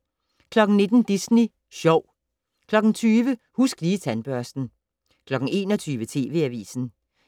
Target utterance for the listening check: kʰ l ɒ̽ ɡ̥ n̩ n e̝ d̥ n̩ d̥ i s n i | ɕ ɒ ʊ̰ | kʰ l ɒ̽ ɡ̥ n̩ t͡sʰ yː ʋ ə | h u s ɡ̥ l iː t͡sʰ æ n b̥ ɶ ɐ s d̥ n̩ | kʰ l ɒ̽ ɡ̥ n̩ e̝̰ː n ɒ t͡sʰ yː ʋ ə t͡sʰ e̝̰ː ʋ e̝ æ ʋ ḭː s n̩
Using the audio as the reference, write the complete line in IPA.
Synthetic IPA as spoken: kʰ l ɒ̽ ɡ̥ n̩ n e̝ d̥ n̩ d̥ i s n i | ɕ ɒ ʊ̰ | kʰ l ɒ̽ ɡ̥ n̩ t͡sʰ yː ʋ ə | h u s ɡ̥ l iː t͡sʰ æ n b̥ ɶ ɐ s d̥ n̩ | kʰ l ɒ̽ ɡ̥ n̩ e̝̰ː n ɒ t͡sʰ yː ʋ ə t͡sʰ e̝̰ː ʋ e̝ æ ʋ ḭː s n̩